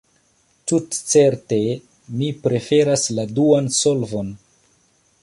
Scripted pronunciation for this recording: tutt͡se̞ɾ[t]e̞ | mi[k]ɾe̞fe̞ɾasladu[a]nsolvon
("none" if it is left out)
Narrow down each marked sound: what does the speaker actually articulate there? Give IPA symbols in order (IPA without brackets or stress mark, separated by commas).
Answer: t, p, a